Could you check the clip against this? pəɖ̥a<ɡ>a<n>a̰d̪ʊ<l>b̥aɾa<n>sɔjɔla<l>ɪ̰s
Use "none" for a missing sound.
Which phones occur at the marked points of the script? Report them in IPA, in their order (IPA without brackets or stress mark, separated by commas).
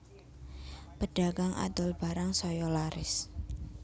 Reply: ɡ, ŋ, l, ŋ, ɾ